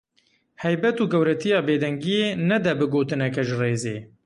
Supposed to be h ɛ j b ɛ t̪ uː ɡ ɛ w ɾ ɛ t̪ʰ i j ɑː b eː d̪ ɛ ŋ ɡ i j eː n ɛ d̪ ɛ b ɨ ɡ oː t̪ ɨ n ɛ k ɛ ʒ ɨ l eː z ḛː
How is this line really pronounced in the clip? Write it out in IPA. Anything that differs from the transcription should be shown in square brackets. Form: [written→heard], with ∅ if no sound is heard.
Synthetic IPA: h ɛ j b ɛ t̪ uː ɡ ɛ w ɾ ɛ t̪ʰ i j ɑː b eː d̪ ɛ ŋ ɡ i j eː n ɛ d̪ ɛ b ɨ ɡ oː t̪ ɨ n ɛ k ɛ ʒ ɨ [l→r] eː z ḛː

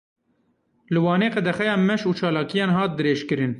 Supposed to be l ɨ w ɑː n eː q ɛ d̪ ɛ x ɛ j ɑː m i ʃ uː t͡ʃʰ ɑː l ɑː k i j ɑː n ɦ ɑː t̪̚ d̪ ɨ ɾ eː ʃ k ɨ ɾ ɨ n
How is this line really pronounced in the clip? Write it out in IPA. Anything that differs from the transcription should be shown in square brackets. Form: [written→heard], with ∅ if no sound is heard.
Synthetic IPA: l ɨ w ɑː n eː q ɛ d̪ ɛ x ɛ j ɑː m [i→ɛ] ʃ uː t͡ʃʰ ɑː l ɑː k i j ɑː n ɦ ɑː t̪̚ d̪ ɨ ɾ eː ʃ k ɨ ɾ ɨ n

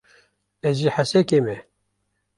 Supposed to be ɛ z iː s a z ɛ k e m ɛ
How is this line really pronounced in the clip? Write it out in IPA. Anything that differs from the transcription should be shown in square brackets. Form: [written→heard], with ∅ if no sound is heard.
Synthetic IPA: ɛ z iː [s→ħ] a [z→s] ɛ k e m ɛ

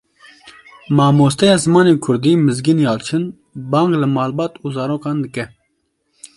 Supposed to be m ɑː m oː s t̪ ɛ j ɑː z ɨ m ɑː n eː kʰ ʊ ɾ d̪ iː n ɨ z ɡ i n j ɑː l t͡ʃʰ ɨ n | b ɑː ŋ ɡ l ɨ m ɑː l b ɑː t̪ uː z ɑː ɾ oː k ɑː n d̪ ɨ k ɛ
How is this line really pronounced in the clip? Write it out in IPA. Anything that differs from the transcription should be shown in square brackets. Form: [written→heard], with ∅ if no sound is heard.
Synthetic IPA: m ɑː m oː s t̪ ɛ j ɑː z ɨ m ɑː n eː kʰ ʊ ɾ d̪ iː [n→m] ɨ z ɡ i n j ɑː l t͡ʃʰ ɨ n | b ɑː ŋ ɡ l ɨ m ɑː l b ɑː t̪ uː z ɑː ɾ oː k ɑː n d̪ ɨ k ɛ

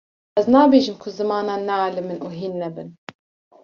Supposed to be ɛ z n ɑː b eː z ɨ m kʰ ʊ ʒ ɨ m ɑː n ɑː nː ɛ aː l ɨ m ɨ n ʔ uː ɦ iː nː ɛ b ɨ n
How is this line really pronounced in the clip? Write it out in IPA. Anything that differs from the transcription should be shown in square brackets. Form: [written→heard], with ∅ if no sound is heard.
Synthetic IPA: ɛ z n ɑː b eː [z→ʒ] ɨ m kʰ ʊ [ʒ→z] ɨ m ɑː n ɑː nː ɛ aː l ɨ m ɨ n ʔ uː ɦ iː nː ɛ b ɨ n

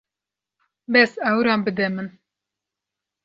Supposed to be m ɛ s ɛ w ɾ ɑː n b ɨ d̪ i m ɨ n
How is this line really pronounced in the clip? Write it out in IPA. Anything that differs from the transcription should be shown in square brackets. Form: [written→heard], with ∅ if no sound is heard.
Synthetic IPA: [m→b] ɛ s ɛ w ɾ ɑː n b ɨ d̪ [i→ɛ] m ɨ n

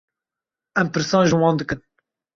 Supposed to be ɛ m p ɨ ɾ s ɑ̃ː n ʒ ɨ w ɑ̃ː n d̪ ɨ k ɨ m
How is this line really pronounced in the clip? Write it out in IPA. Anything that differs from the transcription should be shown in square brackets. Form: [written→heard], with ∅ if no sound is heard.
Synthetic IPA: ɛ m p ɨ ɾ s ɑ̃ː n ʒ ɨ w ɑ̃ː n d̪ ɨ k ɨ [m→n]

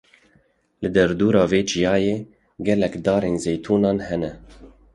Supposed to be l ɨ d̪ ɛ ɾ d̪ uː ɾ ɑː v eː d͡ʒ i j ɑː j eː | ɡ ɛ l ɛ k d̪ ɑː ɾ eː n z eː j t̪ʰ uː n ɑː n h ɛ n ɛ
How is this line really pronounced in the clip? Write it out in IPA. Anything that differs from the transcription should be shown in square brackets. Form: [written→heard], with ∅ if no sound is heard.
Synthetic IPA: l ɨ d̪ ɛ ɾ d̪ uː ɾ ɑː v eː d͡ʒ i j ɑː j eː | ɡ ɛ l ɛ k d̪ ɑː ɾ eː n z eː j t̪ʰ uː n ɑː n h ɛ n ɛ

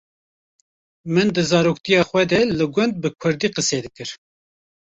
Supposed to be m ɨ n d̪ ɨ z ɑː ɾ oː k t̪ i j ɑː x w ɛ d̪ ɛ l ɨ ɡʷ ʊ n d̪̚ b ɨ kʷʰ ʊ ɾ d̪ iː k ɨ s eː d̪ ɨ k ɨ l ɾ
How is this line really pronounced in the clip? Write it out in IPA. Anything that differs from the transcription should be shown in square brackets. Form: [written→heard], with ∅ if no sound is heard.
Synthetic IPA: m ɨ n d̪ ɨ z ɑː ɾ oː k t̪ i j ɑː x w ɛ d̪ ɛ l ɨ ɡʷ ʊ n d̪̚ b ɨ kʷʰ ʊ ɾ d̪ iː [k→q] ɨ s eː d̪ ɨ k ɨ [l→∅] ɾ

